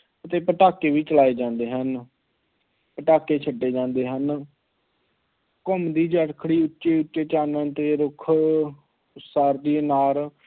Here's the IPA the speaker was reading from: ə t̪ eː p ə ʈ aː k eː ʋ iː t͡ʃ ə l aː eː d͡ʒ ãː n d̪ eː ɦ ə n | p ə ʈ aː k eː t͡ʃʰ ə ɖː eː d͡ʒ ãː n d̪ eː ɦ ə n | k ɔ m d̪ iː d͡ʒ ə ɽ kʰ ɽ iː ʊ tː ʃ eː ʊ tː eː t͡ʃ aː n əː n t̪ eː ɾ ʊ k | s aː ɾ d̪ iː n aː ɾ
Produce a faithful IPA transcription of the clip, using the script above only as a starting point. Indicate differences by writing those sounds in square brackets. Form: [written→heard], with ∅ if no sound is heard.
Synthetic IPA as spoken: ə t̪ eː p ə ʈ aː k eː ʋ iː t͡ʃ ə l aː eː d͡ʒ ãː n d̪ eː ɦ ə n | p ə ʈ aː k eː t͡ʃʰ ə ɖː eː d͡ʒ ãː n d̪ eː ɦ ə n | k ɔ m d̪ iː d͡ʒ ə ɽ kʰ ɽ iː ʊ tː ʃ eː ʊ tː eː t͡ʃ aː n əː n t̪ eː ɾ ʊ [k→kʰ] | s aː ɾ d̪ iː n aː ɾ

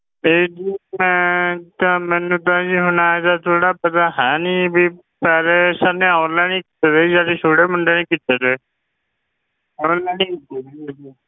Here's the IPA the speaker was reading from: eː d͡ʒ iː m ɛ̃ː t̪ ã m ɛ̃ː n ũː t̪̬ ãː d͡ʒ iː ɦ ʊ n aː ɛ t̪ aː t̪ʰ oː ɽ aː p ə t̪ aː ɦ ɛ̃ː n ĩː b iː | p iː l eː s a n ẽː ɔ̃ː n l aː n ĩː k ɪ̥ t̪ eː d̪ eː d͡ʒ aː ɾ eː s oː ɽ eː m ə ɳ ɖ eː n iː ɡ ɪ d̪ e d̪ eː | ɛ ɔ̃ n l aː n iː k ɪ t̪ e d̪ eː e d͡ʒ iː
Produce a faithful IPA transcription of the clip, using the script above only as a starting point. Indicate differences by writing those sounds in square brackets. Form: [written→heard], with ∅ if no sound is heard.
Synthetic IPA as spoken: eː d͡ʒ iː m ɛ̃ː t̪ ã m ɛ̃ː n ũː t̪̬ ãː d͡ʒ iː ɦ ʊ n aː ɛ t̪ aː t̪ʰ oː ɽ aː p ə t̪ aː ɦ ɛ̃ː n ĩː b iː | p [iː→ɛː] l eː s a n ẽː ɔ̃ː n l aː n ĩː k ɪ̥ t̪ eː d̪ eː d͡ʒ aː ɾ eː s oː ɽ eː m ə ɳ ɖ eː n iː [ɡ→k] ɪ [d̪→t̪] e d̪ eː | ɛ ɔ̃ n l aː n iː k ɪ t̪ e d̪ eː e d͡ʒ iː

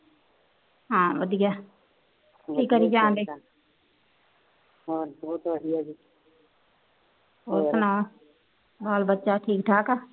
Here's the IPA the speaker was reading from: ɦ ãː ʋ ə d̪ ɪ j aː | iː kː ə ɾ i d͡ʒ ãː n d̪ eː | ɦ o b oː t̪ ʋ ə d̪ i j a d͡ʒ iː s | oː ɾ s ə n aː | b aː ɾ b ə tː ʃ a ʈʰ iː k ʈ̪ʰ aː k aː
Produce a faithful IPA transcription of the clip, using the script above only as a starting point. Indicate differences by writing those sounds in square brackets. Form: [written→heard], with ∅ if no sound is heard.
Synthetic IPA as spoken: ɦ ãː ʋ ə d̪ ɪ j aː | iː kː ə ɾ i d͡ʒ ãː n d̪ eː | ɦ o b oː t̪ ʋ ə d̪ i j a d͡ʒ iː [s→∅] | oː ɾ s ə n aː | b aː [ɾ→l] b ə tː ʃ a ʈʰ iː k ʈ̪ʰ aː k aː

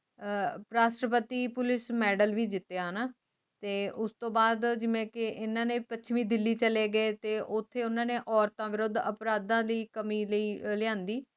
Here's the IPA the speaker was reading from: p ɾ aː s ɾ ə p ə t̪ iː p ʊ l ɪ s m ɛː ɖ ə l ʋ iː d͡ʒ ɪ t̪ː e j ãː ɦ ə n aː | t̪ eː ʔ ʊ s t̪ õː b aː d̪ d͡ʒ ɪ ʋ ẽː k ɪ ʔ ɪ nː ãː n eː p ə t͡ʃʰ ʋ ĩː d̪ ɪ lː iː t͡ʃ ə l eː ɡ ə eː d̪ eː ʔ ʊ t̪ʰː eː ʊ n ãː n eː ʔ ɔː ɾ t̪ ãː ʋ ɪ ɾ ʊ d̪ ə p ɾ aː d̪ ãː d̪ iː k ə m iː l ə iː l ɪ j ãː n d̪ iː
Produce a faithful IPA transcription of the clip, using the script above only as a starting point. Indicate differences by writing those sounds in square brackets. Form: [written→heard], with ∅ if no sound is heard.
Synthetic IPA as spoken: p ɾ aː s ɾ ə p ə t̪ iː p ʊ l ɪ s m ɛː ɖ ə l ʋ iː d͡ʒ ɪ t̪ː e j [ãː→aː] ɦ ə n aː | t̪ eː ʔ ʊ s t̪ õː b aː d̪ d͡ʒ ɪ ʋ ẽː k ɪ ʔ ɪ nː ãː n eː p ə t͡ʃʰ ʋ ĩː d̪ ɪ lː iː t͡ʃ ə l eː ɡ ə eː [d̪→t̪] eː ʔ ʊ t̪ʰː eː ʊ n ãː n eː ʔ ɔː ɾ t̪ ãː ʋ ɪ ɾ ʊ d̪ ə p ɾ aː d̪ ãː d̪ iː k ə m iː l ə iː l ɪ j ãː n d̪ iː

